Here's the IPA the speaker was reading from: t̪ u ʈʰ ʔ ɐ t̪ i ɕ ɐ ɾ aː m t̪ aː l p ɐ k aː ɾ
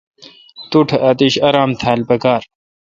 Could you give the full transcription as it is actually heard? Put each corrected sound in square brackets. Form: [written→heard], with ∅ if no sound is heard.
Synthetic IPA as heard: t̪ u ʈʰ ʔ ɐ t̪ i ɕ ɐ ɾ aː m [t̪→t̪ʰ] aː l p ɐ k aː ɾ

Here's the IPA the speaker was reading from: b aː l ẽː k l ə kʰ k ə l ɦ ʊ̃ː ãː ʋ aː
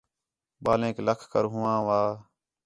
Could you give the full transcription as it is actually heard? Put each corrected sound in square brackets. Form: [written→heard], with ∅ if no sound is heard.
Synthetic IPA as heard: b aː l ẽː k l ə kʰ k ə [l→ɾ] ɦ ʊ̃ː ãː ʋ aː

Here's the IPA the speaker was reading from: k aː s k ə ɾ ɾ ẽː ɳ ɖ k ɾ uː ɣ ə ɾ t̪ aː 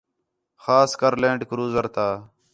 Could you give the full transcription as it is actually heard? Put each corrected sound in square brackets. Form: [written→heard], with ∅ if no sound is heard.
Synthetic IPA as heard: [k→x] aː s k ə ɾ [ɾ→l] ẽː ɳ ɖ k ɾ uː [ɣ→z] ə ɾ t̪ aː

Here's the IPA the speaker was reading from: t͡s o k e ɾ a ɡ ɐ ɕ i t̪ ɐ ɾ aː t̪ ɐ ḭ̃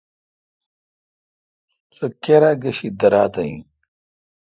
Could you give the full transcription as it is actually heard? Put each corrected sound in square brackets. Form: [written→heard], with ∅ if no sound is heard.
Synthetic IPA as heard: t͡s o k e ɾ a ɡ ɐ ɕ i [t̪→d̪] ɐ ɾ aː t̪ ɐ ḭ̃

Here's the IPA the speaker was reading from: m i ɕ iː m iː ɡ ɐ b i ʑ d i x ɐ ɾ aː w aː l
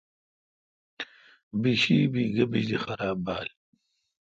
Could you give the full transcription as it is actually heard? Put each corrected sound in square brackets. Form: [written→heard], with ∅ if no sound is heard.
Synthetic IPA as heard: [m→b] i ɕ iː [m→b] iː ɡ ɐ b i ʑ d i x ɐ ɾ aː [w→b] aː l

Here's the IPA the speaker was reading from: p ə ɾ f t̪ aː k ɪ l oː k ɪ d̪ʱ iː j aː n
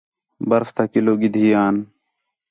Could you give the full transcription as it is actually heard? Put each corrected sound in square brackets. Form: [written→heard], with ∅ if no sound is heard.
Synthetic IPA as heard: [p→b] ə ɾ f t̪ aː k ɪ l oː [k→ɡ] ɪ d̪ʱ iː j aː n

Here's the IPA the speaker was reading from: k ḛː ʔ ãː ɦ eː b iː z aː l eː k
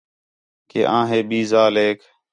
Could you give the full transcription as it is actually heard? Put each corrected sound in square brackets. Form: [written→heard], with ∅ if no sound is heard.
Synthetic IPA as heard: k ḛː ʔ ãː ɦ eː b iː z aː l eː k

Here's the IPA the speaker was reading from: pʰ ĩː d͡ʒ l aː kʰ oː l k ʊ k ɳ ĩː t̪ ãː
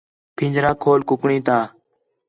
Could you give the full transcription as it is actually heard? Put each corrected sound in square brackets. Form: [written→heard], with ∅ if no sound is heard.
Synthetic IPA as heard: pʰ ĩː d͡ʒ [l→ɾ] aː kʰ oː l k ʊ k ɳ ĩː t̪ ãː

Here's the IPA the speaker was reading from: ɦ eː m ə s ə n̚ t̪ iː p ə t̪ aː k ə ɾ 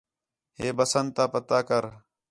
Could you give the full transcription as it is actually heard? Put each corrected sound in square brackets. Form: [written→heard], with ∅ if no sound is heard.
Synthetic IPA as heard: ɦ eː [m→b] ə s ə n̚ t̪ [iː→aː] p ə t̪ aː k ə ɾ

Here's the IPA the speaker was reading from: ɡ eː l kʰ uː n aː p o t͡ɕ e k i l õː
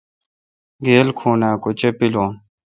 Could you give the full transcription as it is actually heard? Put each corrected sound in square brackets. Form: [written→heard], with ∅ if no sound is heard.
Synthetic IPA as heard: ɡ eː l kʰ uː n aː [p→k] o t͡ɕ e [k→p] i l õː

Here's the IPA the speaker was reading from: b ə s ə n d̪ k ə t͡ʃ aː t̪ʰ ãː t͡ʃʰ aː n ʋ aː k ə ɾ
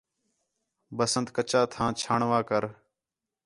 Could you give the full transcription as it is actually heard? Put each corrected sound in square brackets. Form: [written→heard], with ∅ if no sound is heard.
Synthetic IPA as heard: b ə s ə n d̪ k ə t͡ʃ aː t̪ʰ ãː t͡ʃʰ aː [n→ɳ] ʋ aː k ə ɾ

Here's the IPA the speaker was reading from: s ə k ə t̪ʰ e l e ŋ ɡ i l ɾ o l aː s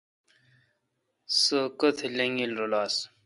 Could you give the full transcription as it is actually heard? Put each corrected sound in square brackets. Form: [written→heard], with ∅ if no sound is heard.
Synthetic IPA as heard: s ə k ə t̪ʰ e l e ŋ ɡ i l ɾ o l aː s

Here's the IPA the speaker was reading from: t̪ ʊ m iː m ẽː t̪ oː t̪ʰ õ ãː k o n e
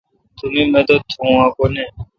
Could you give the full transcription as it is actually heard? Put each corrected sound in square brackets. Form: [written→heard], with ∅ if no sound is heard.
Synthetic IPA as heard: t̪ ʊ m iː m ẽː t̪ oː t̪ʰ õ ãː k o n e

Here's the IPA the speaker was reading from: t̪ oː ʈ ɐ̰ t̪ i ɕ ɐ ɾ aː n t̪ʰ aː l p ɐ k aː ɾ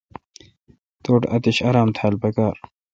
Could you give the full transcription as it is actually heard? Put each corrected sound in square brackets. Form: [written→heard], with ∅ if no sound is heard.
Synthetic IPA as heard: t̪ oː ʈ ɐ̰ t̪ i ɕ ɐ ɾ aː [n→m] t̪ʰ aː l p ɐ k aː ɾ

